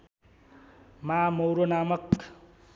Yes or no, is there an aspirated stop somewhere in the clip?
no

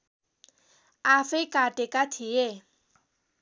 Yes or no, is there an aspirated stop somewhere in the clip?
yes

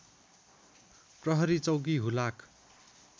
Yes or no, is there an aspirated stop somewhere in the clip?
no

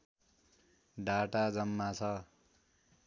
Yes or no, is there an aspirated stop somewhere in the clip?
yes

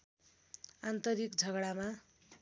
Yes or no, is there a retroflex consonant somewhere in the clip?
yes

